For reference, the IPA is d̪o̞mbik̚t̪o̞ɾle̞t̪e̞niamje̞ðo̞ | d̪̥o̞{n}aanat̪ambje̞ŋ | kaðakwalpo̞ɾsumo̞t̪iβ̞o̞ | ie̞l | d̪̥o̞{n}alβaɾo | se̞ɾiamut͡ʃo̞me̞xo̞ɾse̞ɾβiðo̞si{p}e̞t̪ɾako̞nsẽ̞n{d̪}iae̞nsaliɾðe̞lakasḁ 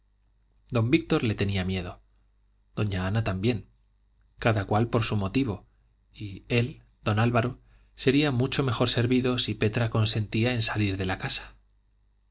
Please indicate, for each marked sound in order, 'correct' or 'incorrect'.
incorrect: ɲ, correct, correct, incorrect: t̪

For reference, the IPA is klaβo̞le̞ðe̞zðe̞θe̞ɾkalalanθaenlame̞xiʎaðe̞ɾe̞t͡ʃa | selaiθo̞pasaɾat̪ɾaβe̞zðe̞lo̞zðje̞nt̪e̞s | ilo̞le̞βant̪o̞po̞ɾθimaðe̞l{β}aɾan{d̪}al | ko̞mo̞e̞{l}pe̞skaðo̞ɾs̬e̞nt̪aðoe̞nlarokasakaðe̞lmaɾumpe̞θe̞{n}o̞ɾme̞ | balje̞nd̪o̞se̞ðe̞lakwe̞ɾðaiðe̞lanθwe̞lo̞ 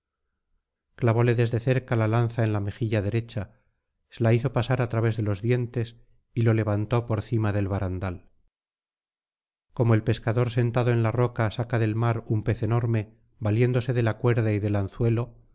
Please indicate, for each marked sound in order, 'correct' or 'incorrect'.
correct, correct, correct, correct

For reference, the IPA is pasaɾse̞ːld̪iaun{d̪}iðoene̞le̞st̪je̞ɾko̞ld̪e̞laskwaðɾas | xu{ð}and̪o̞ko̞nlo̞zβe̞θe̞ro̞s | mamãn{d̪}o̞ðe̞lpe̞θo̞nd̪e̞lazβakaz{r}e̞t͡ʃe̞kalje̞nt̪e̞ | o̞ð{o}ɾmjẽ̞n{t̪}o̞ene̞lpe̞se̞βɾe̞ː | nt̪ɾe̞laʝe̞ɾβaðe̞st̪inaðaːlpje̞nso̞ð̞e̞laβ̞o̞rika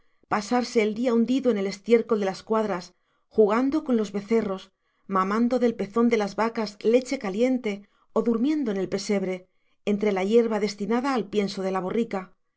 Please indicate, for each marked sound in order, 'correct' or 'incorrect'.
correct, incorrect: ɣ, correct, incorrect: l, incorrect: u, incorrect: d̪

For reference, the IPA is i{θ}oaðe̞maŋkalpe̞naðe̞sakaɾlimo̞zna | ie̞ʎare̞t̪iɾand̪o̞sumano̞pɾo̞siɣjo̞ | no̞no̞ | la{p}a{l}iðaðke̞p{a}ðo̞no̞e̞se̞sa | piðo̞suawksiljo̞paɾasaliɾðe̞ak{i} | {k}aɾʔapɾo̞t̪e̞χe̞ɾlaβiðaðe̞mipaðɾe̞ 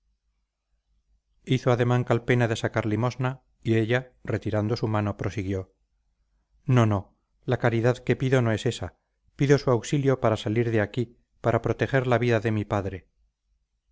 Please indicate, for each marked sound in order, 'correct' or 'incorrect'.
correct, incorrect: k, incorrect: ɾ, incorrect: i, correct, incorrect: p

